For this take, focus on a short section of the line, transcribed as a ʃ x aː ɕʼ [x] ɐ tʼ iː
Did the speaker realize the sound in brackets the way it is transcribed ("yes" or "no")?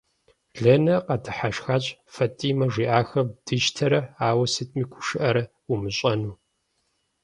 no